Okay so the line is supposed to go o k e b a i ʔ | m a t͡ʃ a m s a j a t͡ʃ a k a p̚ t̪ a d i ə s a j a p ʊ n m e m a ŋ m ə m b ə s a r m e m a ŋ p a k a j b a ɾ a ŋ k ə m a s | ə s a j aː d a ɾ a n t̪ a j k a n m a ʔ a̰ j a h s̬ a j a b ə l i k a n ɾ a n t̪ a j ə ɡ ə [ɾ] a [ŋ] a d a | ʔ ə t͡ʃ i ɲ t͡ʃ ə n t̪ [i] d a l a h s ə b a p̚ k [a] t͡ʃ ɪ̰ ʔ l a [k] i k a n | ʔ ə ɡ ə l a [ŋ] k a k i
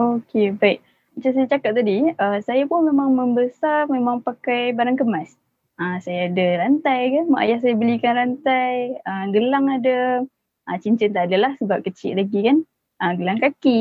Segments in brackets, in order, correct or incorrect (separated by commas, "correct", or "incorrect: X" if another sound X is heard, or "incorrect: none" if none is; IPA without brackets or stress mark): incorrect: l, correct, incorrect: a, incorrect: ə, incorrect: ɡ, correct